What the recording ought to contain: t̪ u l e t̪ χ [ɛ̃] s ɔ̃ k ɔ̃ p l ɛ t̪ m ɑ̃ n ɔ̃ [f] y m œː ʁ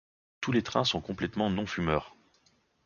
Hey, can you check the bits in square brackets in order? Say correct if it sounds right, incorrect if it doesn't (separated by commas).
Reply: correct, correct